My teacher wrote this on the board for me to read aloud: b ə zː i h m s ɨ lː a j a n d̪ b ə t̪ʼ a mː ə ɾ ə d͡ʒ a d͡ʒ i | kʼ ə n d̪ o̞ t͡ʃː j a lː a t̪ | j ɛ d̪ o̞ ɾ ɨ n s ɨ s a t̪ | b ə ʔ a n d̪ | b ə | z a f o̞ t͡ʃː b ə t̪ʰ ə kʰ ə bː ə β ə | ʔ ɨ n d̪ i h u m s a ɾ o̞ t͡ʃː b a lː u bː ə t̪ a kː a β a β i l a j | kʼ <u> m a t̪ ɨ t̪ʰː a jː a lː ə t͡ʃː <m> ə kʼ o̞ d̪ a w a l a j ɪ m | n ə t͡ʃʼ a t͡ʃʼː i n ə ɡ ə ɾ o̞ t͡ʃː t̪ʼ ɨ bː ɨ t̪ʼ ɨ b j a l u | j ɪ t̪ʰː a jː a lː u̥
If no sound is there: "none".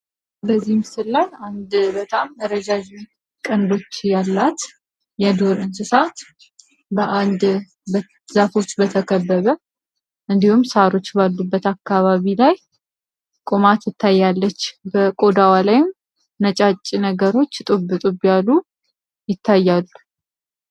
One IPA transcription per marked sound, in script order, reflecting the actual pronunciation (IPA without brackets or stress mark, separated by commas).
o, b